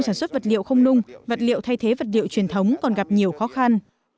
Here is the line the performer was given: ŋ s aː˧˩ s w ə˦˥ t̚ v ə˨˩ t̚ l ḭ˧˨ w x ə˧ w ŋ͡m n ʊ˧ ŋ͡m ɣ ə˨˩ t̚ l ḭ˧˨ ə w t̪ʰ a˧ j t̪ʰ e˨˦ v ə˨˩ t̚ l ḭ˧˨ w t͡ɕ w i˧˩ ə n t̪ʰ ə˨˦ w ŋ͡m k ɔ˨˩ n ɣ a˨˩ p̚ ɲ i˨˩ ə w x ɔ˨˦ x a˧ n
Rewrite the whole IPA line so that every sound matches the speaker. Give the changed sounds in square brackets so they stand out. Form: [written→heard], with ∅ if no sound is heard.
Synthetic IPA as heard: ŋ s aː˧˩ s w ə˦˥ t̚ v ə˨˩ t̚ l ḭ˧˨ w x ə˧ w ŋ͡m n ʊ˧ ŋ͡m [ɣ→v] ə˨˩ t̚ l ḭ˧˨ ə w t̪ʰ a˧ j t̪ʰ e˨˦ v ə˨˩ t̚ l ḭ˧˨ w t͡ɕ w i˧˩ ə n t̪ʰ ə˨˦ w ŋ͡m k ɔ˨˩ n ɣ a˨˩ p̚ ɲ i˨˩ ə w x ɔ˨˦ x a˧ n

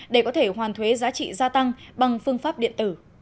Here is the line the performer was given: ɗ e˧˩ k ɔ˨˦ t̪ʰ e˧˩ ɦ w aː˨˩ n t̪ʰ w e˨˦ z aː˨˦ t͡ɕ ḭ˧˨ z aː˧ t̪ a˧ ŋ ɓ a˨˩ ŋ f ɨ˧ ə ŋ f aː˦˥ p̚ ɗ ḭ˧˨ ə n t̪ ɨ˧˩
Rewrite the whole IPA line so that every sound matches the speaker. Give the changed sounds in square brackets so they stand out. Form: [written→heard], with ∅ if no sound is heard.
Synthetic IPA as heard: ɗ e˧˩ k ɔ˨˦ t̪ʰ e˧˩ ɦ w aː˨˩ n t̪ʰ w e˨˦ z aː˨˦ t͡ɕ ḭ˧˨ z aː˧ t̪ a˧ ŋ ɓ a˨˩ ŋ f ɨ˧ ə ŋ f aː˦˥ p̚ ɗ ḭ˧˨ ə n t̪ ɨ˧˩

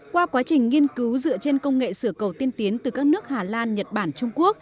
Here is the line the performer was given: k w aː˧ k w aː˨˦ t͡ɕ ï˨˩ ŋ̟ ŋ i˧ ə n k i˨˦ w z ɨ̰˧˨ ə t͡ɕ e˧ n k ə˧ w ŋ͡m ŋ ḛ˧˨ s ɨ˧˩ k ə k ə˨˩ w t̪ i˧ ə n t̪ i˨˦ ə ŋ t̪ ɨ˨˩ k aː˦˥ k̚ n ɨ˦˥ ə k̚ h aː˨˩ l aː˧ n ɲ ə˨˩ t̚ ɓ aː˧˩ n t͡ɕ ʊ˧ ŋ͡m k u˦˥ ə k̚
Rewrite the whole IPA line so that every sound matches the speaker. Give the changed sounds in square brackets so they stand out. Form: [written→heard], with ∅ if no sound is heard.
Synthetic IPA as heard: k w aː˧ k w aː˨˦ t͡ɕ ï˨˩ ŋ̟ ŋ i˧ ə n k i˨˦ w z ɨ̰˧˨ ə t͡ɕ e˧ n k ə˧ w ŋ͡m ŋ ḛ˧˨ s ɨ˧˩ [k→∅] ə k ə˨˩ w t̪ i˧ ə n t̪ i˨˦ ə [ŋ→n] t̪ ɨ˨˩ k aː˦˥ k̚ n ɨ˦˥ ə k̚ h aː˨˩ l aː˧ n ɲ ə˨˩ t̚ ɓ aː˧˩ n t͡ɕ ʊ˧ ŋ͡m k u˦˥ ə k̚

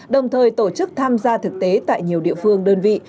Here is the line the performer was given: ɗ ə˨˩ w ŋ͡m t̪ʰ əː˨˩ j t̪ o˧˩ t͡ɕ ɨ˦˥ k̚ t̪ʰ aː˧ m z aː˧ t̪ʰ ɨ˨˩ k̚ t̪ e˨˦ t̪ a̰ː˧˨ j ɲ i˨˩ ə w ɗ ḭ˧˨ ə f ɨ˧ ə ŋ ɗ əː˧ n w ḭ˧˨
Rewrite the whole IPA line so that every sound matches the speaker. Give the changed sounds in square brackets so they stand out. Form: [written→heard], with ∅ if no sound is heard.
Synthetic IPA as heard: ɗ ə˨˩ w ŋ͡m t̪ʰ əː˨˩ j t̪ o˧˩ t͡ɕ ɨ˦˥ k̚ t̪ʰ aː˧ m z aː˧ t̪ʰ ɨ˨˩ k̚ t̪ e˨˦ t̪ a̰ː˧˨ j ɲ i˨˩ ə w ɗ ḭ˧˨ ə f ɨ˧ ə ŋ ɗ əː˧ n [w→v] ḭ˧˨

